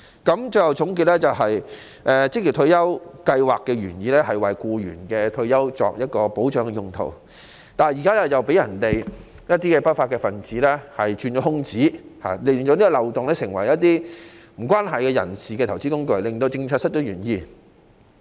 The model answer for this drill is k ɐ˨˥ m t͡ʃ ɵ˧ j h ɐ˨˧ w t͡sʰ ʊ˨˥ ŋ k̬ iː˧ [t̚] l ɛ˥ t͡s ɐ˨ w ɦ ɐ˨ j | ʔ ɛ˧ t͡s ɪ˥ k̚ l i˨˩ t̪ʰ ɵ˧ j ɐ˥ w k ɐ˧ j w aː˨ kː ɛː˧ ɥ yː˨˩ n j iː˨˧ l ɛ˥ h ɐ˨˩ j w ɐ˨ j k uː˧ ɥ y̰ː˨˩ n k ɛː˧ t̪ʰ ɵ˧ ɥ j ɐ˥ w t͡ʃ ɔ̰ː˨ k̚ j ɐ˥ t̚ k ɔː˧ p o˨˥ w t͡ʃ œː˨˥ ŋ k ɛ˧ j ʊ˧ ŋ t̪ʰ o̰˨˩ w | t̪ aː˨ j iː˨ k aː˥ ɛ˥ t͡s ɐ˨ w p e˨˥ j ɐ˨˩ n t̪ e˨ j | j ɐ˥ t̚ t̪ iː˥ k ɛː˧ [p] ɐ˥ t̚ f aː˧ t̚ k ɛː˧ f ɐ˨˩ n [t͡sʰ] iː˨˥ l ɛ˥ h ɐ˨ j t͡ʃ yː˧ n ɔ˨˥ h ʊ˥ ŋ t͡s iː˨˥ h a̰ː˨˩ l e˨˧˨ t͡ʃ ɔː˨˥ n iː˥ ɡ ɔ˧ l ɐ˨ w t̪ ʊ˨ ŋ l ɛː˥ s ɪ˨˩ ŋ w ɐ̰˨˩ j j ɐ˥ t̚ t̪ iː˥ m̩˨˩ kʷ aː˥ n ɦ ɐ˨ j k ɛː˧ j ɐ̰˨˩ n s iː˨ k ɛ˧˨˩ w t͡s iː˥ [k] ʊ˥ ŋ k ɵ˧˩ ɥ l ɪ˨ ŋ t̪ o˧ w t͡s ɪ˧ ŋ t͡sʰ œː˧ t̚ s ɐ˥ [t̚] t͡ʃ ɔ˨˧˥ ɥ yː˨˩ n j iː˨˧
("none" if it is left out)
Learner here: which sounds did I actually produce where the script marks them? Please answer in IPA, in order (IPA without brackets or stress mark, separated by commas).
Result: t̚, p, t͡s, k, t̚